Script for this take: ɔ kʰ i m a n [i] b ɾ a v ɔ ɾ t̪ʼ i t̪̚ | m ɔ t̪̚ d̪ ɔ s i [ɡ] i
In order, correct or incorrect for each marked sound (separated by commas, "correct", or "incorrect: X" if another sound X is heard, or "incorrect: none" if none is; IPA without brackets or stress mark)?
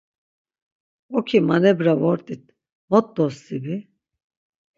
incorrect: ɛ, incorrect: b